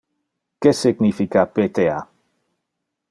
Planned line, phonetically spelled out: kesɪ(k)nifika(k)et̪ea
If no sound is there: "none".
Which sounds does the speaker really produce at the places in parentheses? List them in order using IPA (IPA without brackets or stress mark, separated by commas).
ɡ, p